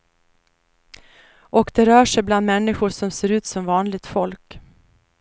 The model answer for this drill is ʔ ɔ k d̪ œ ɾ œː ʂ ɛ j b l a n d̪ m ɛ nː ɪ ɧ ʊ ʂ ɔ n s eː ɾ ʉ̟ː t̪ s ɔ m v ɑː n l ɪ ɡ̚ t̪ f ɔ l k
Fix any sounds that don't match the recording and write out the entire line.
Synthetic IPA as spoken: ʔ ɔ k d̪ ɛ ɾ œː ʂ ɛ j b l a n d̪ m ɛ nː ɪ ɧ ʊ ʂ ɔ m s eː ɾ ʉ̟ː t̪ s ɔ m v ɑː n l ɪ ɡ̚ t̪ f ɔ l k